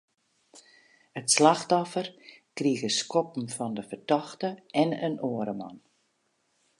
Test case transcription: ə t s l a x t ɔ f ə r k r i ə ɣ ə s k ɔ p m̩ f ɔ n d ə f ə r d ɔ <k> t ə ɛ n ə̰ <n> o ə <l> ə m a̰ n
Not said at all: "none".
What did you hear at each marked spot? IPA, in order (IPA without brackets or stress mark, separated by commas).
x, n, ɾ